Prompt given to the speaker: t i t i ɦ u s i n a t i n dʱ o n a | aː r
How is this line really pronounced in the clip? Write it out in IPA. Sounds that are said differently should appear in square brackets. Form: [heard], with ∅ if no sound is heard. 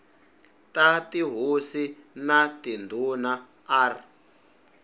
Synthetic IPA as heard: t [a] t i ɦ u s i n a t i n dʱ [u] n a | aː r